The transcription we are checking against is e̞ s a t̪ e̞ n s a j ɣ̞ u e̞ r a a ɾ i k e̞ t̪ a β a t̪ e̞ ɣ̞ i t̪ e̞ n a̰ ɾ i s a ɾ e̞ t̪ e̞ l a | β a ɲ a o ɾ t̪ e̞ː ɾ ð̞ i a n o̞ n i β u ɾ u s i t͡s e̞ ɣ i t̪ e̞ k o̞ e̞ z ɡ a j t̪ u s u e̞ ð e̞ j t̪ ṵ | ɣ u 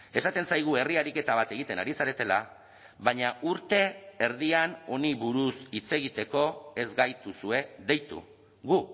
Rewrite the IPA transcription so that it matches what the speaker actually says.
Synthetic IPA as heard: e̞ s a t̪ e̞ n s a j ɣ̞ u e̞ r i a ɾ i k e̞ t̪ a β a t̪ e̞ ɣ̞ i t̪ e̞ n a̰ ɾ i s a ɾ e̞ t̪ e̞ l a | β a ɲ a u ɾ t̪ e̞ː ɾ ð̞ i a n o̞ n i β u ɾ u s i t͡s e̞ ɣ i t̪ e̞ k o̞ e̞ z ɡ a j t̪ u s u e̞ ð e̞ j t̪ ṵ | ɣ u